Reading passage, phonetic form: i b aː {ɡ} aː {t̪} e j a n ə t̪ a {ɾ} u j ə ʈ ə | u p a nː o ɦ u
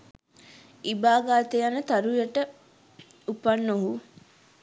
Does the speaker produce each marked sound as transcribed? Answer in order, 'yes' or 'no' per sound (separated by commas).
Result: yes, yes, yes